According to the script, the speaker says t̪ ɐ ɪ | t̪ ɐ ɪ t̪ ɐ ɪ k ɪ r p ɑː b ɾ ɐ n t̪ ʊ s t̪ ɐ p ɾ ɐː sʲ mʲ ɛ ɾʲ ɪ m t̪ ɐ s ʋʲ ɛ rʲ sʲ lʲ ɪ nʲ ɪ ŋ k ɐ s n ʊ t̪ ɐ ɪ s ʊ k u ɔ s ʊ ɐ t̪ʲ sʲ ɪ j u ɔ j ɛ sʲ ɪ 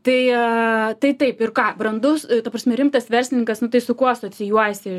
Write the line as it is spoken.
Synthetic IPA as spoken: t̪ ɐ ɪ | t̪ ɐ ɪ t̪ ɐ ɪ p ɪ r k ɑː b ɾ ɐ n d̪ ʊ s t̪ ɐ p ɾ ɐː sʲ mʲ ɛ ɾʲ ɪ m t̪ ɐ s ʋʲ ɛ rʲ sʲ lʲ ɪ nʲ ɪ ŋ k ɐ s n ʊ t̪ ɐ ɪ s ʊ k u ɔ s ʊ ɐ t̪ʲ sʲ ɪ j u ɔ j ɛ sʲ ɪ